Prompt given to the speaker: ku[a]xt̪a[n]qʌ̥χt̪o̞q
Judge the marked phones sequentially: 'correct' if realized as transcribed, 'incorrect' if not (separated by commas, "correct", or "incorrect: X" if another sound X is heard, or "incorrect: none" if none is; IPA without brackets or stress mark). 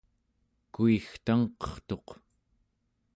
incorrect: i, incorrect: ŋ